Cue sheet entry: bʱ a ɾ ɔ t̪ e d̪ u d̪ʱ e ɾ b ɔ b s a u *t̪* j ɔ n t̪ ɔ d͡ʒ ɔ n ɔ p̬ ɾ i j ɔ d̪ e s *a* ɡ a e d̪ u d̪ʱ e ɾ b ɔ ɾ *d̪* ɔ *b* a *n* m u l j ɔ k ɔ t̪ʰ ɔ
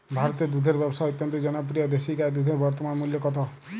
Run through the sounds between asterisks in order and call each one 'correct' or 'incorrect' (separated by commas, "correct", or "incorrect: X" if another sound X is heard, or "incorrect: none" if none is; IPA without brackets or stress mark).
correct, incorrect: i, incorrect: t̪, incorrect: m, correct